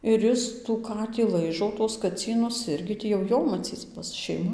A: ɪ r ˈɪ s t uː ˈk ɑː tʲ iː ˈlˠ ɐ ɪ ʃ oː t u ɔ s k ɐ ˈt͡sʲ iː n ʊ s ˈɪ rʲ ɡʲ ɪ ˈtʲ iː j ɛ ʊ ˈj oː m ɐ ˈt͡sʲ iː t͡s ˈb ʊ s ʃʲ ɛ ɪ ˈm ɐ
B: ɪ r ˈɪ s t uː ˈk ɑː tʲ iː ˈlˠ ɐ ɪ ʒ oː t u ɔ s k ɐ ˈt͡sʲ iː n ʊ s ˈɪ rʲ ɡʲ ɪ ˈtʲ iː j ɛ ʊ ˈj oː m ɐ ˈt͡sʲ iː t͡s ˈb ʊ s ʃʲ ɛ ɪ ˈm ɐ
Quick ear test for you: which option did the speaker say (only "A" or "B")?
B